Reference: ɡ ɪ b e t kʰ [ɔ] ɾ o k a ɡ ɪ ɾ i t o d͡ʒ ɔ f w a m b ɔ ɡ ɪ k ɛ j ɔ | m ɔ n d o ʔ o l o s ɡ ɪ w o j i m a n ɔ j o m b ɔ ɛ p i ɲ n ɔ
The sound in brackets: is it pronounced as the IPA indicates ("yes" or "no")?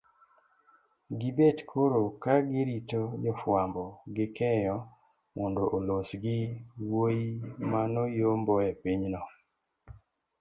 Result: no